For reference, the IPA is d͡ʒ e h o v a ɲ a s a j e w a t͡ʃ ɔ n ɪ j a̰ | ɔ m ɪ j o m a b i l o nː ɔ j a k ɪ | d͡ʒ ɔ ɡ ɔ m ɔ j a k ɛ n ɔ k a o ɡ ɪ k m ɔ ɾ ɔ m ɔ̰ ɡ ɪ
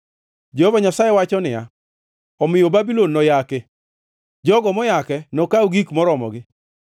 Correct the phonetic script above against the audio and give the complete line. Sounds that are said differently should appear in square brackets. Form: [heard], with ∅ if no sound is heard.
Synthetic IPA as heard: d͡ʒ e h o v a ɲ a s a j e w a t͡ʃ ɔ n ɪ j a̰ | ɔ m ɪ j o [b] a b i l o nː ɔ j a k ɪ | d͡ʒ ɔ ɡ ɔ m ɔ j a k ɛ n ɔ k a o ɡ [i] k m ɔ ɾ ɔ m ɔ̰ ɡ ɪ

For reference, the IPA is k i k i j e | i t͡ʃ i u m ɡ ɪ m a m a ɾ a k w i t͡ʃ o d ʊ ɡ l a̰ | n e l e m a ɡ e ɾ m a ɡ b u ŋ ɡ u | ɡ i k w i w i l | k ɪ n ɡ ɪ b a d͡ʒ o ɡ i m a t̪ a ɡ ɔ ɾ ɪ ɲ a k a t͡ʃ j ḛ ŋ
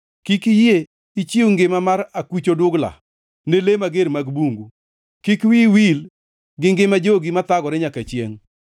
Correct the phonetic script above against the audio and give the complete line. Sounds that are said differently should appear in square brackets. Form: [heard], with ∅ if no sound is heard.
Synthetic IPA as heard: k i k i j e | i t͡ʃ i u [ŋ] ɡ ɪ m a m a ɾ a k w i t͡ʃ o d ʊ ɡ l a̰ | n e l e m a ɡ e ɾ m a ɡ b u ŋ ɡ u | [k] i k w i w i l | [ɡ] ɪ [ŋ] ɡ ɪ [m] a d͡ʒ o ɡ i m a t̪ a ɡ ɔ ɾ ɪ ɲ a k a t͡ʃ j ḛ ŋ

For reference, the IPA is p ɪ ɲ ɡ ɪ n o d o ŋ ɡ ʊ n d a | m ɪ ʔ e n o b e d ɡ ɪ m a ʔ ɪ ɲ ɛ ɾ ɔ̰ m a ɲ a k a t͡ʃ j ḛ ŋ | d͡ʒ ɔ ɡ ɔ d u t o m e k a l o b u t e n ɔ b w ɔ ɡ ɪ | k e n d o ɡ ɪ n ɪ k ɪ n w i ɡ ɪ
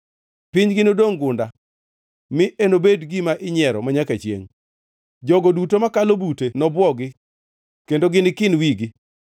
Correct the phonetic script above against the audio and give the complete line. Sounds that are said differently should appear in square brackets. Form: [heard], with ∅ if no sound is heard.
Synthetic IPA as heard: p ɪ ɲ ɡ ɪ n o d o ŋ ɡ ʊ n d a | m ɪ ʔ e n o b e d ɡ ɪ m a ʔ ɪ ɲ ɛ ɾ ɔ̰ m a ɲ a k a t͡ʃ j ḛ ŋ | d͡ʒ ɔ ɡ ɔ d u t o m [a] k a l o b u t e n ɔ b w ɔ ɡ ɪ | k e n d o ɡ ɪ n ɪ k ɪ n w i ɡ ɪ

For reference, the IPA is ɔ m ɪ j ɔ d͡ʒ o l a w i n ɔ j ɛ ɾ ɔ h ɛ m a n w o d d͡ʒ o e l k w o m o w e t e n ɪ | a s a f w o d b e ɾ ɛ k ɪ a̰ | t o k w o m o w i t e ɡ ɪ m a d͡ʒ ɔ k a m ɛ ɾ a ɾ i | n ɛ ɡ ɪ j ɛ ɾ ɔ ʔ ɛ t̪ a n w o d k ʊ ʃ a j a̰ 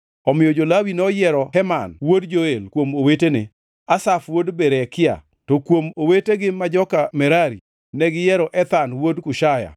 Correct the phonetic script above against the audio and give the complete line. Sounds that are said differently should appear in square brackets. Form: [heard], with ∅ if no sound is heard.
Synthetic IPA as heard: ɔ m ɪ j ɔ d͡ʒ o l a w i n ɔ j ɛ ɾ ɔ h ɛ m a n w o d d͡ʒ o e l k w o m o w e t e n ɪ | a s a f w o d b e ɾ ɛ k ɪ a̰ | t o k w o m o w [e] t e ɡ ɪ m a d͡ʒ ɔ k a m ɛ ɾ a ɾ i | n ɛ ɡ ɪ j ɛ ɾ ɔ ʔ ɛ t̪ a n w o d k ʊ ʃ a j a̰

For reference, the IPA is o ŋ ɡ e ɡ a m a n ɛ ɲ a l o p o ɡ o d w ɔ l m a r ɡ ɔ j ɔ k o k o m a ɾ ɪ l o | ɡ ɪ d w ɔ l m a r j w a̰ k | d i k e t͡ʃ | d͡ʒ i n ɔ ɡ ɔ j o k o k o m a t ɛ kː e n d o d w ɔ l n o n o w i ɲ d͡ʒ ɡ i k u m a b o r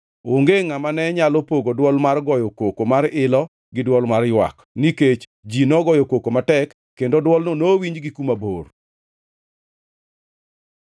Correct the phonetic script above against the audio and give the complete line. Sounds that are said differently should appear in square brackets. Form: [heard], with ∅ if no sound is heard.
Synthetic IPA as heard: o ŋ ɡ e [ŋ] a m a n ɛ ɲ a l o p o ɡ o d w ɔ l m a r ɡ ɔ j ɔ k o k o m a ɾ ɪ l [ɔ] | ɡ ɪ d w ɔ l m a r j w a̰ k | [n] i k e t͡ʃ | d͡ʒ i n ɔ ɡ ɔ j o k o k o m a t ɛ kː e n d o d w ɔ l n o n o w i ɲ d͡ʒ ɡ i k u m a b o r

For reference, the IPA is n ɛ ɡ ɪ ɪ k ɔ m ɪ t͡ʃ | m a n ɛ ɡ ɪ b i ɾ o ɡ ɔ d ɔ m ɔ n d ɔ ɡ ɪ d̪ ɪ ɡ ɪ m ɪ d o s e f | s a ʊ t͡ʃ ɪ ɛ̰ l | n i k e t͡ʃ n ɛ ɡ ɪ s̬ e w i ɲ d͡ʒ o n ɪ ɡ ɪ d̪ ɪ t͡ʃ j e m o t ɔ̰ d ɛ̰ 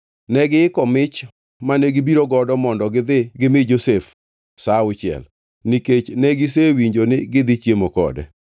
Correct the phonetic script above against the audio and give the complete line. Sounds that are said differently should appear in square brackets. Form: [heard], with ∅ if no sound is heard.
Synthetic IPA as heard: n ɛ ɡ ɪ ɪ k ɔ m ɪ t͡ʃ | m a n ɛ ɡ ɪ b i ɾ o ɡ ɔ d ɔ m ɔ n d ɔ ɡ ɪ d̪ ɪ ɡ ɪ m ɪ [d͡ʒ] o s e f | s a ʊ t͡ʃ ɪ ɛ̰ l | n i k e t͡ʃ n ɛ ɡ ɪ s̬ e w i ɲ d͡ʒ o n ɪ ɡ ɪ d̪ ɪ t͡ʃ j e m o [k] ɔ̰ d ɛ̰

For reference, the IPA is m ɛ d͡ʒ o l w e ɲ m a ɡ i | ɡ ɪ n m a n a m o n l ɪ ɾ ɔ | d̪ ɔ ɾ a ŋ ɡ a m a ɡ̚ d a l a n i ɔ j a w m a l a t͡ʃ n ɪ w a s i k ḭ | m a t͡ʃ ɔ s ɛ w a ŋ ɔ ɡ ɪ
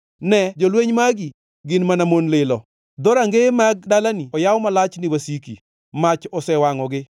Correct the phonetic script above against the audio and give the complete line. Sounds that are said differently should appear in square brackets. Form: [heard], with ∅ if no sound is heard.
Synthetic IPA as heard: [n] ɛ d͡ʒ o l w e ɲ m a ɡ i | ɡ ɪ n m a n a m o n l ɪ [l] ɔ | d̪ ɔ ɾ a ŋ ɡ [e] m a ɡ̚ d a l a n i ɔ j a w m a l a t͡ʃ n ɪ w a s i k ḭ | m a t͡ʃ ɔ s ɛ w a ŋ ɔ ɡ ɪ

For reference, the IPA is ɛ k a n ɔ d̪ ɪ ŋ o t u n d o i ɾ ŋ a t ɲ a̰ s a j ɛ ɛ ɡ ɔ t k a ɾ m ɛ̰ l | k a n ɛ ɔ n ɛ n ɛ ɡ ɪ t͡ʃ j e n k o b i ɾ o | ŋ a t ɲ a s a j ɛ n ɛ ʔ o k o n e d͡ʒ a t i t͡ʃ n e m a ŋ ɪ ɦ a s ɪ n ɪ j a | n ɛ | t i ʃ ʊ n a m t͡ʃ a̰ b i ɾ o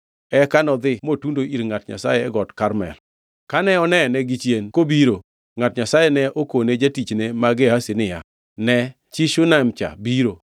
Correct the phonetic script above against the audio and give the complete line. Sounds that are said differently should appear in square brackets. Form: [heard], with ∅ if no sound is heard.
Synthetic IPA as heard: ɛ k a n ɔ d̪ ɪ [m] o t u n d o i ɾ ŋ a t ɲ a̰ s a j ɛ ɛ ɡ ɔ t k a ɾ m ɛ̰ l | k a n ɛ ɔ n ɛ n ɛ ɡ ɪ t͡ʃ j e n k o b i ɾ o | ŋ a t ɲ a s a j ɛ n ɛ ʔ o k o n e d͡ʒ a t i t͡ʃ n e m a [ɡ] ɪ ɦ a s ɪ n ɪ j a | n ɛ | [t͡ʃ] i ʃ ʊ n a m t͡ʃ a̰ b i ɾ o

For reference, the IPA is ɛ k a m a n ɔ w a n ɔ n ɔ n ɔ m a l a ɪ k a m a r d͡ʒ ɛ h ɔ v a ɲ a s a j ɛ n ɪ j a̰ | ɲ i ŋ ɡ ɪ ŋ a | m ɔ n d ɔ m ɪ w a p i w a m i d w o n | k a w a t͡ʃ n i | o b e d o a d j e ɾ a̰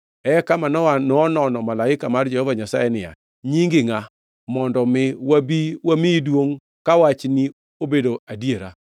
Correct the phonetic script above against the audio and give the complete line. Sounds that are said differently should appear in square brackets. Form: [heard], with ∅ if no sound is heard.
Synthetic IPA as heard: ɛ k a m a n ɔ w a n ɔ n ɔ n ɔ m a l a ɪ k a m a r d͡ʒ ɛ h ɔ v a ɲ a s a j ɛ n ɪ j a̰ | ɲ i ŋ ɡ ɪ ŋ a | m ɔ n d ɔ m ɪ w a [b] i w a m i d w o [ŋ] | k a w a t͡ʃ n i | o b e d o a d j e ɾ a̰

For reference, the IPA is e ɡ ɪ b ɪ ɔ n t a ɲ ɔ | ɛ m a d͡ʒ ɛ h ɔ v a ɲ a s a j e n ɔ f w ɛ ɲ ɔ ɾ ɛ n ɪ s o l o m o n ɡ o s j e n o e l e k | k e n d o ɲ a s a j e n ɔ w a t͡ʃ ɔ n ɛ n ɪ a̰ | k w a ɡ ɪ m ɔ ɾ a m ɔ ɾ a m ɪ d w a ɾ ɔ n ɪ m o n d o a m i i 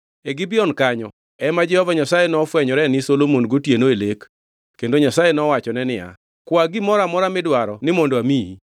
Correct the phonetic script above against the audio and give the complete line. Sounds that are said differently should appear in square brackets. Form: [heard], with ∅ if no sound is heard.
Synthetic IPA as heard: e ɡ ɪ b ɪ ɔ n [k] a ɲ ɔ | ɛ m a d͡ʒ ɛ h ɔ v a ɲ a s a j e n ɔ f w ɛ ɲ ɔ ɾ ɛ n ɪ s o l o m o n ɡ o [t] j e n o e l e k | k e n d o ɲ a s a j e n ɔ w a t͡ʃ ɔ n ɛ n ɪ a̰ | k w a ɡ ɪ m ɔ ɾ a m ɔ ɾ a m ɪ d w a ɾ ɔ n ɪ m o n d o a m i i

